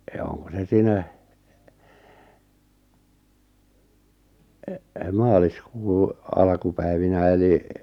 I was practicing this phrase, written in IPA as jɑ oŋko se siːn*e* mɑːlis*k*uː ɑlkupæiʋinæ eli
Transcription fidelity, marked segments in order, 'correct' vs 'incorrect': incorrect: æ, correct

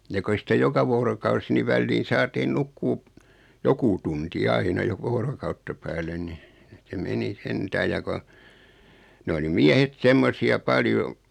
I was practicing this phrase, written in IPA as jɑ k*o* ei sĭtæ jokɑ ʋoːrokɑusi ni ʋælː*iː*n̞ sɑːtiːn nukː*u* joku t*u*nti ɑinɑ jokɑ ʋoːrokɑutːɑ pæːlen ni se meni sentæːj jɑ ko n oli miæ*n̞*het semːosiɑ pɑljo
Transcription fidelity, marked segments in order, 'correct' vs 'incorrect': correct, correct, incorrect: uː, correct, incorrect: none

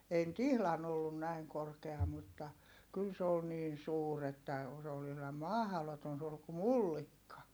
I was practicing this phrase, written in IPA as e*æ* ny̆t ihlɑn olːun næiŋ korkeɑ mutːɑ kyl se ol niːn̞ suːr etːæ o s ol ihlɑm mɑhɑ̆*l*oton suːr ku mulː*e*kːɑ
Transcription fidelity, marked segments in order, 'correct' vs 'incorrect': incorrect: i, correct, incorrect: i

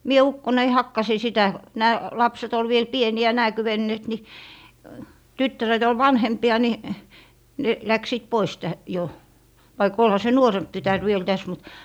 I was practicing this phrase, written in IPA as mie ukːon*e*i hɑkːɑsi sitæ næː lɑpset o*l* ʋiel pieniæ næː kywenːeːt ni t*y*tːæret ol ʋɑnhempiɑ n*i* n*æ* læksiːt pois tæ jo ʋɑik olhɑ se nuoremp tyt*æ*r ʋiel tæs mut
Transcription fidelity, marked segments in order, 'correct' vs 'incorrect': correct, correct, correct, correct, incorrect: e, correct

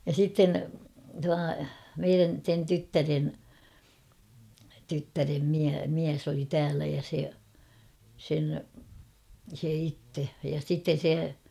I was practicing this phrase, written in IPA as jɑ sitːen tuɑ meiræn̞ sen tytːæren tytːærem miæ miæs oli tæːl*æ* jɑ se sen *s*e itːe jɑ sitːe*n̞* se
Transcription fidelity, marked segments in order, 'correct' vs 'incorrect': correct, correct, correct

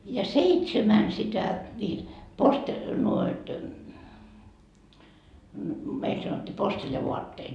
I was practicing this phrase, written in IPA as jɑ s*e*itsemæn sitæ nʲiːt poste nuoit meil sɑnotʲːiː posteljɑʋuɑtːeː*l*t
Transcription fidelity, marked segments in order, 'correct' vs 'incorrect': correct, incorrect: none

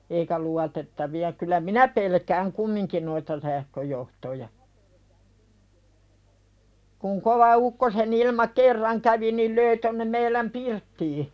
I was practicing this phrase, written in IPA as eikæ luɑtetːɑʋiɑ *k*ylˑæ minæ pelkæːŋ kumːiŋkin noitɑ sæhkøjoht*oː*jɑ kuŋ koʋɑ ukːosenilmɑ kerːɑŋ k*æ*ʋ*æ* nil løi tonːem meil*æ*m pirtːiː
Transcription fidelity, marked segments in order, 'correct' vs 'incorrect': correct, incorrect: o, correct, incorrect: i, correct

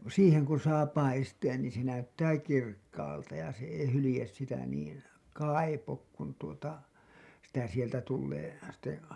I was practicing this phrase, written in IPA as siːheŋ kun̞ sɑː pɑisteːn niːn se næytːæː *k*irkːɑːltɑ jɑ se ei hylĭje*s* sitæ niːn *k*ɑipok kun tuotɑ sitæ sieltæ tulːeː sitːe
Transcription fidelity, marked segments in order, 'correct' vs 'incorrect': correct, correct, correct

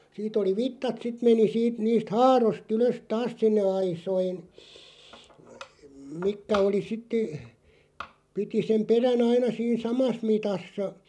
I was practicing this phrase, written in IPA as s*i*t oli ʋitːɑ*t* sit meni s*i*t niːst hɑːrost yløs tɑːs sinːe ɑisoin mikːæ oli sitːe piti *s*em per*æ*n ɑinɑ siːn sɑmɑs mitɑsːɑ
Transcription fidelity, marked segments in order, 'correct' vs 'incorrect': incorrect: iː, correct, incorrect: iː, correct, correct

